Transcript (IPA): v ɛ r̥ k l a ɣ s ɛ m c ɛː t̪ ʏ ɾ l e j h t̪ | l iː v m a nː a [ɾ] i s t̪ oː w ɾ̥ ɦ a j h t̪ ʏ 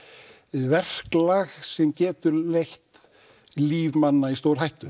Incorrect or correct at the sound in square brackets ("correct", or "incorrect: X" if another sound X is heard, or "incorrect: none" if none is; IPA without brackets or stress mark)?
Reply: incorrect: none